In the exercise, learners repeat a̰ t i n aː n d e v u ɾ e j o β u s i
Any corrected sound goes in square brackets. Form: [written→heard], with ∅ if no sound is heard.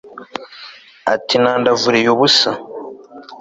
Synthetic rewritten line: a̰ t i n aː n d [e→a] v u ɾ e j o β u s [i→a]